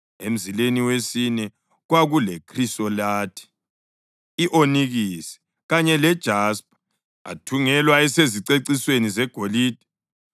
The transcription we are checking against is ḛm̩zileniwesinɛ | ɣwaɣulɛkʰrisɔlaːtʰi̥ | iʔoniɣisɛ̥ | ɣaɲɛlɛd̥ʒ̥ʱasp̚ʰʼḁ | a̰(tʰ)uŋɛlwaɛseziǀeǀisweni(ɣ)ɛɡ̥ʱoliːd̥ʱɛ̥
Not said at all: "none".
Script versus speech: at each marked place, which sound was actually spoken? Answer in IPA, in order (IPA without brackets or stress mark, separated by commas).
tʰ, z